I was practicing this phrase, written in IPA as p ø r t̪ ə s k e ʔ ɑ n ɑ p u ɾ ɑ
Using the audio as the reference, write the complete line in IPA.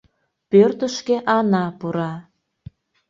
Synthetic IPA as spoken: p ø r t̪ ə ʃ k e ʔ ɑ n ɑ p u ɾ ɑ

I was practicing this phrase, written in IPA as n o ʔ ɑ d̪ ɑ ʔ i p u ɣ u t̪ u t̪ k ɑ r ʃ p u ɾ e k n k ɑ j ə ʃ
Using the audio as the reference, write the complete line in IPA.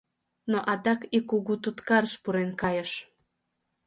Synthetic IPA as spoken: n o ʔ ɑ d̪ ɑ k i k u ɣ u t̪ u t̪ k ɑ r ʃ p u ɾ e n k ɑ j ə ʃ

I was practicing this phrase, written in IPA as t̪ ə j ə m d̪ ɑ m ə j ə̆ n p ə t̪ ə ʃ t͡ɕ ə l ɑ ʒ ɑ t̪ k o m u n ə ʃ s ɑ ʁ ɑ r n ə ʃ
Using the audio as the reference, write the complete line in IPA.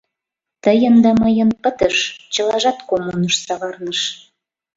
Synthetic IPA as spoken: t̪ ə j ə n d̪ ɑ m ə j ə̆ n p ə t̪ ə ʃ t͡ɕ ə l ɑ ʒ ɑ t̪ k o m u n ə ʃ s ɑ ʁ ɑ r n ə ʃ

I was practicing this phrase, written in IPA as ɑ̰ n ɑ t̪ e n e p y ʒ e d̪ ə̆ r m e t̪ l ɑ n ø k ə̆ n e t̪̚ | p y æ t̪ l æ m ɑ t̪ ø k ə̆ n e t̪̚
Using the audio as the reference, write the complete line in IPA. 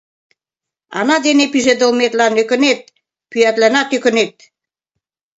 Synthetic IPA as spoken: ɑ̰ n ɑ d̪ e n e p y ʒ e d̪ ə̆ l m e t̪ l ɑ n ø k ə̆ n e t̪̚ | p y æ t̪ l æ n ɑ t̪ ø k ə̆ n e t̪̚

